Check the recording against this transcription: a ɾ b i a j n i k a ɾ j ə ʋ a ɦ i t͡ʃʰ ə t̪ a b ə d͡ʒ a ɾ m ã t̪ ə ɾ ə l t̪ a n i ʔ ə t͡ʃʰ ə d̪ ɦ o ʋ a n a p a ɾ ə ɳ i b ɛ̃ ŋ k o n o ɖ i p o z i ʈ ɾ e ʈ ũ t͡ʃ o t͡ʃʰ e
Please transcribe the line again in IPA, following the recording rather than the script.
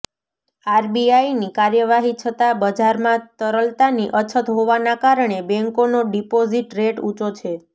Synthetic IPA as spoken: a ɾ b i a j n i k a ɾ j ə ʋ a ɦ i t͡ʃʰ ə t̪ a b ə d͡ʒ a ɾ m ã t̪ ə ɾ ə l t̪ a n i ʔ ə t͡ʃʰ ə t̪ ɦ o ʋ a n a k a ɾ ə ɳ e b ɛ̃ ŋ k o n o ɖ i p o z i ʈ ɾ e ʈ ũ t͡ʃ o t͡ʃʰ e